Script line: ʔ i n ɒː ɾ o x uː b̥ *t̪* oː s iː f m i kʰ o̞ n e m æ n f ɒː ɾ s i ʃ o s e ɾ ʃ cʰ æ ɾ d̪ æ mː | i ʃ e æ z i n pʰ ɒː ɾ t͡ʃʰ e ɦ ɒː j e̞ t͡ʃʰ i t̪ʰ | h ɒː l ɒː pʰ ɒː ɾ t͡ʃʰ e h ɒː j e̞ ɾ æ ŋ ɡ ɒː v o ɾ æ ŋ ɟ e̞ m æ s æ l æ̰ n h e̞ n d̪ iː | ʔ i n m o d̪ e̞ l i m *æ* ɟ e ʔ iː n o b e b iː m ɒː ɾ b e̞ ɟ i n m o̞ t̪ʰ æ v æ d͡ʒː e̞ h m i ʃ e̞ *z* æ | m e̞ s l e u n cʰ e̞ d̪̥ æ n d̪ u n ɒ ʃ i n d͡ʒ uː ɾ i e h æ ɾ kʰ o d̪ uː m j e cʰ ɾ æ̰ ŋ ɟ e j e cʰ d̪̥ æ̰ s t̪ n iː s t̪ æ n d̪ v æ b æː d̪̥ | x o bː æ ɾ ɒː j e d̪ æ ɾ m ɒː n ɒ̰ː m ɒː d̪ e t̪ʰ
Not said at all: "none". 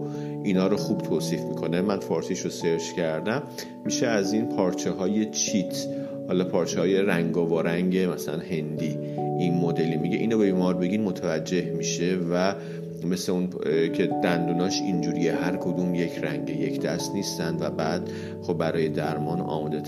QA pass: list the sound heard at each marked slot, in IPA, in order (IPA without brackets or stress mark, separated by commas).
t̪ʰ, i, v